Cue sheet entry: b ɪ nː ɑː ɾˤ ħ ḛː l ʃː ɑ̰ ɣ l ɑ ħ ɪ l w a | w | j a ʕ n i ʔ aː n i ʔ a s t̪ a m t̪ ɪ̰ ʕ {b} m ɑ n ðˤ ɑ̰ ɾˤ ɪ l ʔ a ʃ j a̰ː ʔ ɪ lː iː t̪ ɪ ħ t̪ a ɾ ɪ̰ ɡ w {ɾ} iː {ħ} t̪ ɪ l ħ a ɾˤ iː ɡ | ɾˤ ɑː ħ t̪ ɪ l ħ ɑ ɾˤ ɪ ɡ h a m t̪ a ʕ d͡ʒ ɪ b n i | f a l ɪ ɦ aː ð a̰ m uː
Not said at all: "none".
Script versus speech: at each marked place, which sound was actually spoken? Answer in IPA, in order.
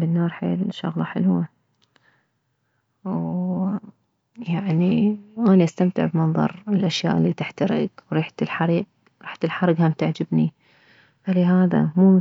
b, ɾ, ħ

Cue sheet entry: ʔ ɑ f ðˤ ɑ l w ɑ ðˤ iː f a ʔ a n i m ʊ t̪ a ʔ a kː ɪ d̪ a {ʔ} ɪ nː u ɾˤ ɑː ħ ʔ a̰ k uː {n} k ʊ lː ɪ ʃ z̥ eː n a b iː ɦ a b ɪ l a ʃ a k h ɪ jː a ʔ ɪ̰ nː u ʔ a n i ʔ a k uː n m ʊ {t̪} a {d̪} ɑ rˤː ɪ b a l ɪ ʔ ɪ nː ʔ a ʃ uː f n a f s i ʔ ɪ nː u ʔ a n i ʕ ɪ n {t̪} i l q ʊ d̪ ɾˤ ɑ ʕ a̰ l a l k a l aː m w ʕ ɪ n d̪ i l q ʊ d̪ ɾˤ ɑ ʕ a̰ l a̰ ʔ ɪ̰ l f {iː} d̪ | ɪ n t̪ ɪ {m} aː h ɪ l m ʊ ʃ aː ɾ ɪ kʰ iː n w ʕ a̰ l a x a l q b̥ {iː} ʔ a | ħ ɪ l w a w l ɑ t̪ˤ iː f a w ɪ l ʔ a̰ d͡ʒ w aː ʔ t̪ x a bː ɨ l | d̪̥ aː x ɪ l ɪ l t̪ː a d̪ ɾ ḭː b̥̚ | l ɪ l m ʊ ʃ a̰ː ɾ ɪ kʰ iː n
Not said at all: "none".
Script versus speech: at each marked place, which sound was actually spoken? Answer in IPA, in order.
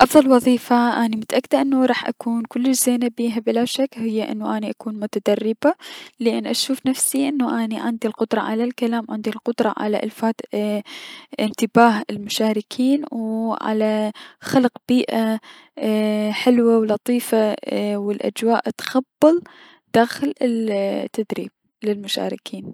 ʔ, n, t̪, d̪, d̪, aː, b, iː

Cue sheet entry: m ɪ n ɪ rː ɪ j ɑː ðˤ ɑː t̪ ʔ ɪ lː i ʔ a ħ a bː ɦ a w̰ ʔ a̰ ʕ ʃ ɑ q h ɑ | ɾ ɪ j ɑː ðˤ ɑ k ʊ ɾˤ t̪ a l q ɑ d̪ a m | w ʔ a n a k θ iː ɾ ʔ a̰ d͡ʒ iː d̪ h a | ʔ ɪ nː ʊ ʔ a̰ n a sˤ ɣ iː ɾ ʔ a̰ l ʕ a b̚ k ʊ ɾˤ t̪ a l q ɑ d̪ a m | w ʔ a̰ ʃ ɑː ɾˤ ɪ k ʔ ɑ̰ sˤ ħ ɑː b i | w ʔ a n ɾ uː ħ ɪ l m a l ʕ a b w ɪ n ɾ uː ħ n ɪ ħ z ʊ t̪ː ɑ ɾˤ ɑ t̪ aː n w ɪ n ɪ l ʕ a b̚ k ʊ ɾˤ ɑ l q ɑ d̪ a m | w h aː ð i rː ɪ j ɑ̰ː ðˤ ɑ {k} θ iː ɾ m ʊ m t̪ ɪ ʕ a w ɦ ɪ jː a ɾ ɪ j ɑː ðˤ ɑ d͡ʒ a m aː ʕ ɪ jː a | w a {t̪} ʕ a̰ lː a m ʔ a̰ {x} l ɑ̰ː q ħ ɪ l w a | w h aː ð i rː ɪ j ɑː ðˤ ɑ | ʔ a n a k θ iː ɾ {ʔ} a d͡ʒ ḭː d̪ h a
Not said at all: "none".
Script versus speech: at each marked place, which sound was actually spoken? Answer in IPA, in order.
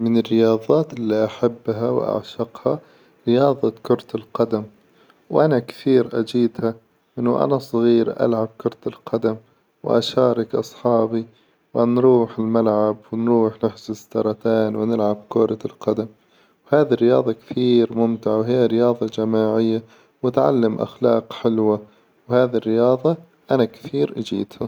k, t̪, x, ʔ

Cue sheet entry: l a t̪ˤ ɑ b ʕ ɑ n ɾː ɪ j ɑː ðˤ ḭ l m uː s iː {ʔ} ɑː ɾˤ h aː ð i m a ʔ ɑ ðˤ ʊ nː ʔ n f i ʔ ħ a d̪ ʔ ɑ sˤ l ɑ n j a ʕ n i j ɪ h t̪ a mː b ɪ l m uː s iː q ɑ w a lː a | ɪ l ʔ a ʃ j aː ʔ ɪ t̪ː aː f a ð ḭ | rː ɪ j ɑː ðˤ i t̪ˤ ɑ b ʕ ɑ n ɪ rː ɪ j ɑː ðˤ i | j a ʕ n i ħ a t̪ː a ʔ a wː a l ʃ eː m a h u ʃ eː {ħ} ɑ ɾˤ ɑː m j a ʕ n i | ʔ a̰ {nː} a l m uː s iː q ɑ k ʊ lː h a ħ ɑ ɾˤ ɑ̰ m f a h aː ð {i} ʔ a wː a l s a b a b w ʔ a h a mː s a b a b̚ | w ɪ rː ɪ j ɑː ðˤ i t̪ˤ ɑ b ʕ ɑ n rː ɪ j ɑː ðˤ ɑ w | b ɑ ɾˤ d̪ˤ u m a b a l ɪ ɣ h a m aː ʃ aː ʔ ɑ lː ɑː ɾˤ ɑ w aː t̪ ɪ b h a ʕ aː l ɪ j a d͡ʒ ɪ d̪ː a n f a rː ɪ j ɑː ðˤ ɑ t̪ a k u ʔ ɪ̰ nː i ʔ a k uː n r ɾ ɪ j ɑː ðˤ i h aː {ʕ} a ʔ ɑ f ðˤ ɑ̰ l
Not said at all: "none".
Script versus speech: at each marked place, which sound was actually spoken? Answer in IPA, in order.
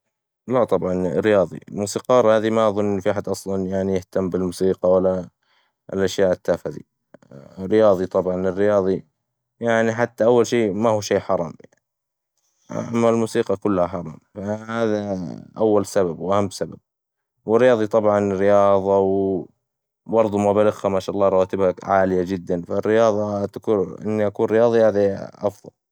q, ħ, mː, a, ð

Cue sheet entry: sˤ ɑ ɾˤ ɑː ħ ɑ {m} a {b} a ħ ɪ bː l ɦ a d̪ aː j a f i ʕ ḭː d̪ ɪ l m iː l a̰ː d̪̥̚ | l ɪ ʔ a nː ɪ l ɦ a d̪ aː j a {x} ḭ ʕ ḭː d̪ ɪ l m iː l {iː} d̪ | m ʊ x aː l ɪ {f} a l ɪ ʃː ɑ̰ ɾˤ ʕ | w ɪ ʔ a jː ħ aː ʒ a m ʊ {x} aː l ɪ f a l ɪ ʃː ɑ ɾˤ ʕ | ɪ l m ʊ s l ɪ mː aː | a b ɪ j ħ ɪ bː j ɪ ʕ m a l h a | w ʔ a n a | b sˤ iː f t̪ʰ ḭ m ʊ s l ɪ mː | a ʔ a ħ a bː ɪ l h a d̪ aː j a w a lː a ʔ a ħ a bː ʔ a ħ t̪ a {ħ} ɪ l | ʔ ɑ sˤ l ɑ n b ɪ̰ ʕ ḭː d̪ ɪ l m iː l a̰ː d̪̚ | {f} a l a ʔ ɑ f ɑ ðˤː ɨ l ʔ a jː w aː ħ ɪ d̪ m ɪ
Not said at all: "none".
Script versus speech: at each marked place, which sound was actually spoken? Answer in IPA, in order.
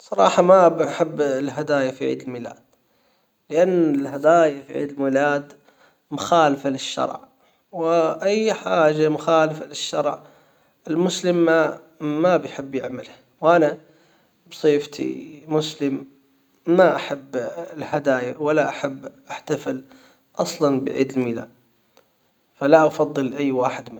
m, b, f, aː, f, x, f, f

